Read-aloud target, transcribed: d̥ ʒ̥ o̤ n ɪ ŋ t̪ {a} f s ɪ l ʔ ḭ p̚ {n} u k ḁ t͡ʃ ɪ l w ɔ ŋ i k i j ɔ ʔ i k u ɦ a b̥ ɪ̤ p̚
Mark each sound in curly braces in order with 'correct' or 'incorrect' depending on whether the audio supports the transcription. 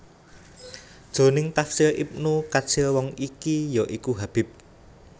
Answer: correct, correct

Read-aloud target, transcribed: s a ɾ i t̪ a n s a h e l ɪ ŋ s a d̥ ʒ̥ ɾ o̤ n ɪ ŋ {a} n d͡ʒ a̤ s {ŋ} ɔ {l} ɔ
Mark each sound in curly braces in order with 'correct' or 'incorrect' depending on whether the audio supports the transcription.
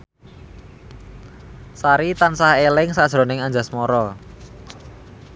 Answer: correct, incorrect: m, incorrect: ɾ

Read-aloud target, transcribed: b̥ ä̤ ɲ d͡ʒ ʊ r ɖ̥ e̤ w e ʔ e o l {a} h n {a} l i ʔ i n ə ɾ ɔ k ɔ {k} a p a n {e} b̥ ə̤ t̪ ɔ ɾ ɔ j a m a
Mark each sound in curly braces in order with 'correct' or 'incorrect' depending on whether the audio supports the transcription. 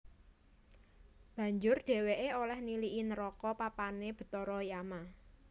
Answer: incorrect: ɛ, incorrect: i, incorrect: p, correct

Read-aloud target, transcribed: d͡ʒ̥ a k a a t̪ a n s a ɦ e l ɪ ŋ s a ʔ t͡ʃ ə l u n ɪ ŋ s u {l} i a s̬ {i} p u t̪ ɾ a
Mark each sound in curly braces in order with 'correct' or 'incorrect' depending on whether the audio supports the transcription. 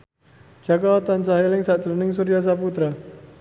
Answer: incorrect: ɾ, incorrect: a

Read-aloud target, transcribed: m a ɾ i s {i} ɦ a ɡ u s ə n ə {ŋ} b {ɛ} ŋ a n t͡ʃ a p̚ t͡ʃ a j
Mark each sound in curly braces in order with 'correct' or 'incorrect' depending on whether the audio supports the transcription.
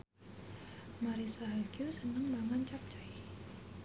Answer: incorrect: a, correct, incorrect: a

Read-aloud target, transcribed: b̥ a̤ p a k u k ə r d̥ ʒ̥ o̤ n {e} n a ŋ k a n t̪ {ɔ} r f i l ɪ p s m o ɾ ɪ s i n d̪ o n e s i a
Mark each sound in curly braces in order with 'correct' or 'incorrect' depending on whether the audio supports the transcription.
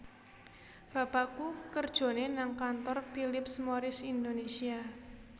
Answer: correct, correct

